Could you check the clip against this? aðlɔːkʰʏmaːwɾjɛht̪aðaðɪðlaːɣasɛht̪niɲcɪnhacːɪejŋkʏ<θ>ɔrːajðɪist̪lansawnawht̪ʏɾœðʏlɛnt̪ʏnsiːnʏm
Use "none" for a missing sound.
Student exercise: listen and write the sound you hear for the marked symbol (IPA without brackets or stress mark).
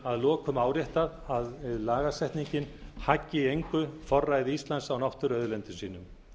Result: f